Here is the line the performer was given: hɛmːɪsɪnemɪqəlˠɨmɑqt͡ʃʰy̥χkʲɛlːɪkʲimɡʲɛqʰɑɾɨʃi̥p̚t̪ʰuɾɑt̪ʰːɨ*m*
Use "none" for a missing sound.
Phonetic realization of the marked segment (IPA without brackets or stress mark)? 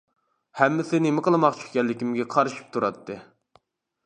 none